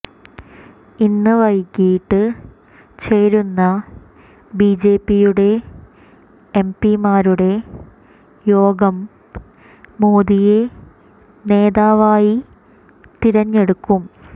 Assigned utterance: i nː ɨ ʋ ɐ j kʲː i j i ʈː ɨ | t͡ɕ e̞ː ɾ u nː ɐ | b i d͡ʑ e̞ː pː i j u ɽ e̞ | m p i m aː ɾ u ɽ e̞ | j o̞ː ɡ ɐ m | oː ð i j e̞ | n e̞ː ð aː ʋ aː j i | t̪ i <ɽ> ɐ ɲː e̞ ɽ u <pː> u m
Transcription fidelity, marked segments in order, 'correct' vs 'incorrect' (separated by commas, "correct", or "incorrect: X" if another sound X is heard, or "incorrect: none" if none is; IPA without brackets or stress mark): incorrect: ɾ, incorrect: kː